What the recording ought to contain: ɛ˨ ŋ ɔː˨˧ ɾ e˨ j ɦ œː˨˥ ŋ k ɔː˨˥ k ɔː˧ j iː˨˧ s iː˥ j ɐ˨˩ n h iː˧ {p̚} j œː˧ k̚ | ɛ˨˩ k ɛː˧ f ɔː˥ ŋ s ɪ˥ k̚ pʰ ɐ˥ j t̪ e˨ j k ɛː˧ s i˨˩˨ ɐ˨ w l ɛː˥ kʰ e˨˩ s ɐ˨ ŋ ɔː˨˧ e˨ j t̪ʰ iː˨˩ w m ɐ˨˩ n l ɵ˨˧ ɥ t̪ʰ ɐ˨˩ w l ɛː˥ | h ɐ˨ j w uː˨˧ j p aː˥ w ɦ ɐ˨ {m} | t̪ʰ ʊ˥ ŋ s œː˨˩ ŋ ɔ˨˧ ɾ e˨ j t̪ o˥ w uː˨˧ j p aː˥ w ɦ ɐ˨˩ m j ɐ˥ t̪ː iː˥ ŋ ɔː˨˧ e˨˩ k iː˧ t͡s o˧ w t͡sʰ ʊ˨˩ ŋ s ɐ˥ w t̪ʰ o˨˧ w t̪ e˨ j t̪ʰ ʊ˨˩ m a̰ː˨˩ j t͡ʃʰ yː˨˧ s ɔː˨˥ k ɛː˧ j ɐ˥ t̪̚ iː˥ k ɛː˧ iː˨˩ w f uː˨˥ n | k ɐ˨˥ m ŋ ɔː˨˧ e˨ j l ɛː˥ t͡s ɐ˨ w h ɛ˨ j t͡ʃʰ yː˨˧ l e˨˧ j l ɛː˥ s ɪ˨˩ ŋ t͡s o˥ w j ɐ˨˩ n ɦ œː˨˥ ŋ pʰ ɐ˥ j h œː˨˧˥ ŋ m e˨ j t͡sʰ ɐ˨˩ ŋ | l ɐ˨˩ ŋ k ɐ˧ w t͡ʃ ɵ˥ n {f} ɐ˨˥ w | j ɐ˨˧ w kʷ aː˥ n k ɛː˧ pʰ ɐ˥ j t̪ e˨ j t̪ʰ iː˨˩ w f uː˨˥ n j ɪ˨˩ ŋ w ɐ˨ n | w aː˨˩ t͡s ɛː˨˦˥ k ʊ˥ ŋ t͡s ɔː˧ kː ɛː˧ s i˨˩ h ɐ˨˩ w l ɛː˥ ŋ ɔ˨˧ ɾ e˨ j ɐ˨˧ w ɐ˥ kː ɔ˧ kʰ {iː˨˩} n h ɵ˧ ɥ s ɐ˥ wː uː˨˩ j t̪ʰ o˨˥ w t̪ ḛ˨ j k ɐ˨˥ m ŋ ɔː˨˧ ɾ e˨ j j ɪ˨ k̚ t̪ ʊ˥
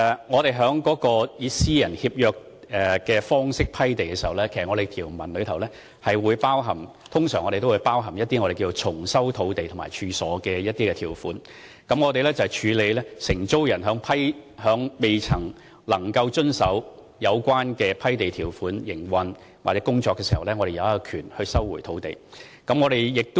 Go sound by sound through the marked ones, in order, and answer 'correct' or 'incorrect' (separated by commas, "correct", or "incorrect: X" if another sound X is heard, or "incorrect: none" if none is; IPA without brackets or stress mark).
correct, correct, incorrect: s, incorrect: yː˨˩